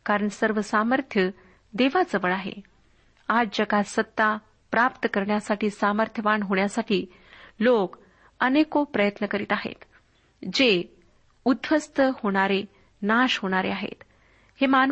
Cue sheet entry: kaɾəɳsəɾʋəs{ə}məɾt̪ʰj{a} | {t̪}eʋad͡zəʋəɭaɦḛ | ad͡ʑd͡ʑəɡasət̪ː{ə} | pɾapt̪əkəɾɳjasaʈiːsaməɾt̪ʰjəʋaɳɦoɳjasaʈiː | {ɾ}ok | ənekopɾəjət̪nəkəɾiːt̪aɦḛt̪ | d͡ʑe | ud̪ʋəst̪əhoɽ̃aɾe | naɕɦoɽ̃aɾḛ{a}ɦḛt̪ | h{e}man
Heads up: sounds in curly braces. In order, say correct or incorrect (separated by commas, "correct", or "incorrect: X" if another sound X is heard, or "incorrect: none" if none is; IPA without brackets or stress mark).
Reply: incorrect: a, incorrect: ə, incorrect: d̪, incorrect: a, incorrect: l, correct, correct